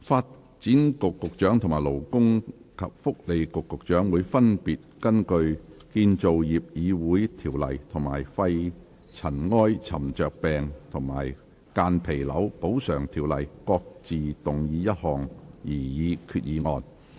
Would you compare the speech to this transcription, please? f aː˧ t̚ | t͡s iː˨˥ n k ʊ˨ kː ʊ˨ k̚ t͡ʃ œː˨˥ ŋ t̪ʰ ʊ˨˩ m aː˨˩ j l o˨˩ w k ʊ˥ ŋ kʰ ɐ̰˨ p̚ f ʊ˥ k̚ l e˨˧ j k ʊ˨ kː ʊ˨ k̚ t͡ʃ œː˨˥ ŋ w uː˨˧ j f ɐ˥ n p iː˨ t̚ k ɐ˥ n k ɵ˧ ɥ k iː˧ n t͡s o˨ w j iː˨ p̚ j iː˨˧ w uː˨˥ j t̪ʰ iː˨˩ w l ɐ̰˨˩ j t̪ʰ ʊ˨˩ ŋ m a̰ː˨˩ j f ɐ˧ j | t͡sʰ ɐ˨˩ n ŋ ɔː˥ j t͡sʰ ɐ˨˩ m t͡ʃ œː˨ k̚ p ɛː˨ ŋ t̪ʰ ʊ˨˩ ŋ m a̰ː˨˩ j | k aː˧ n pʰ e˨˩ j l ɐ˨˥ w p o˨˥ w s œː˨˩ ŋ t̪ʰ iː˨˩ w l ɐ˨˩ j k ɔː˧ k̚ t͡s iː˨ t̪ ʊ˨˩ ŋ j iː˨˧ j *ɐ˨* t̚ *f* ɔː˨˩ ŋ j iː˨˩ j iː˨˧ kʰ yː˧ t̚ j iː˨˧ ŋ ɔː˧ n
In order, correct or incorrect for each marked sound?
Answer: incorrect: ɐ˥, incorrect: h

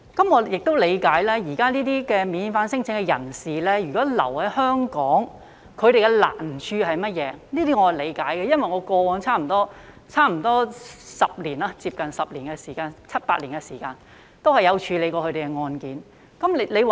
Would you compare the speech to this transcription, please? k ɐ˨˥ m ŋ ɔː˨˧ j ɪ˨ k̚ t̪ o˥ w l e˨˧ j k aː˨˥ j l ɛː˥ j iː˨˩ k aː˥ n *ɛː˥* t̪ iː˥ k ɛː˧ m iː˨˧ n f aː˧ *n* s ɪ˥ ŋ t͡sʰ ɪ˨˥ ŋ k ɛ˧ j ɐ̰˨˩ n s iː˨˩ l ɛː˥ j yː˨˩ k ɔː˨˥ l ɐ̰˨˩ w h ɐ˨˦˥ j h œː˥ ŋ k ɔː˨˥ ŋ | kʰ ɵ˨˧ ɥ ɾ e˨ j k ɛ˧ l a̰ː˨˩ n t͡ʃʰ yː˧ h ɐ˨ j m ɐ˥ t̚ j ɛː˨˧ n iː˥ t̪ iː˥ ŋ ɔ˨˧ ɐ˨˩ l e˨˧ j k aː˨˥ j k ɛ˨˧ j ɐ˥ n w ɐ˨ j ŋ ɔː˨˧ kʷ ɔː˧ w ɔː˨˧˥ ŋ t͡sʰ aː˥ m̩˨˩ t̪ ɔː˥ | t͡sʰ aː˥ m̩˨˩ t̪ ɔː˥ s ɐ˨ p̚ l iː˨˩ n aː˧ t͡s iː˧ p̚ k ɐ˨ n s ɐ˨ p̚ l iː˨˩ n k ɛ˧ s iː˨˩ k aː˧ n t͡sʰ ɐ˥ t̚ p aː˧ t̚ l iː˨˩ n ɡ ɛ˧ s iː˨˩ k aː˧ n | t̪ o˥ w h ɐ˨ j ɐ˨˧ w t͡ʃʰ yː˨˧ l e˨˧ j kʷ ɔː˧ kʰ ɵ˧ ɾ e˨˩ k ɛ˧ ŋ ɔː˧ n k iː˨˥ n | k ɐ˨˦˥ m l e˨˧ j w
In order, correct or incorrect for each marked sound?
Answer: incorrect: iː˥, correct

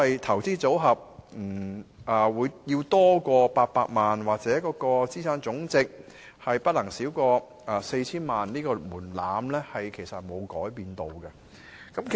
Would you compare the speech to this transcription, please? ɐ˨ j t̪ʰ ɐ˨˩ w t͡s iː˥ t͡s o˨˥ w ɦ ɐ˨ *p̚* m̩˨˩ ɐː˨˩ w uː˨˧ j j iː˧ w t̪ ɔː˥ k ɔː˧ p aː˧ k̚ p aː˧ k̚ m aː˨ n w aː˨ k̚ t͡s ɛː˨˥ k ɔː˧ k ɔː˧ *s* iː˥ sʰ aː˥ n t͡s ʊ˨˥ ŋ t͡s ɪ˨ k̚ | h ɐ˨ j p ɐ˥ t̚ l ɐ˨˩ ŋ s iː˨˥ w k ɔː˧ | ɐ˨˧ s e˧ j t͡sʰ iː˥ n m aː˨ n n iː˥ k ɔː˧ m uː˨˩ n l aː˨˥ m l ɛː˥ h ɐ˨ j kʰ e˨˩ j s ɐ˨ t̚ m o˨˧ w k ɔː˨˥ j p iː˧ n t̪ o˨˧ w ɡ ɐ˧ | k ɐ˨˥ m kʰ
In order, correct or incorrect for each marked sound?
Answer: correct, incorrect: t͡s

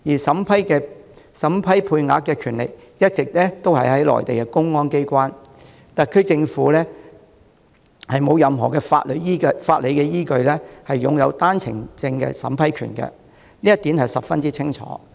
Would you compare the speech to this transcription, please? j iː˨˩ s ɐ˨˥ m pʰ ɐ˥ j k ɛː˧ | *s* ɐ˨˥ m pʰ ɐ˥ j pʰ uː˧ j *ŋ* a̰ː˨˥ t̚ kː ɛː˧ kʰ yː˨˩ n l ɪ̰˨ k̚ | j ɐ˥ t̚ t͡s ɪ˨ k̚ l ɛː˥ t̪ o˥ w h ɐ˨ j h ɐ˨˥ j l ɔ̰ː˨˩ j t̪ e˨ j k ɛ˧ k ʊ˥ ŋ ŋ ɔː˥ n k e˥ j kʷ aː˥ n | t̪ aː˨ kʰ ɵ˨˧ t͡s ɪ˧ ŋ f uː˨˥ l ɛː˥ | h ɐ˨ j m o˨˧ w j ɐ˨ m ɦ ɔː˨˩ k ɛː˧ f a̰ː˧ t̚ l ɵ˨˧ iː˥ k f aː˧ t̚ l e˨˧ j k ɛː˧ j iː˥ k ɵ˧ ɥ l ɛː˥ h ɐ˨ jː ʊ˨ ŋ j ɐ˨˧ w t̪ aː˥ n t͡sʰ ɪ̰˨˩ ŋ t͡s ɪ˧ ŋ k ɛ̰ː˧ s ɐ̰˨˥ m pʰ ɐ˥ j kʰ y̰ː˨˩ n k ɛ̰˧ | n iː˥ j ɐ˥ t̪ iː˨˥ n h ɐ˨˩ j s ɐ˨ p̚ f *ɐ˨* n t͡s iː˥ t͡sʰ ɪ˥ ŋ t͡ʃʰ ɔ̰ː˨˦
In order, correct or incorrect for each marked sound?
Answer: correct, correct, incorrect: ɐ˥

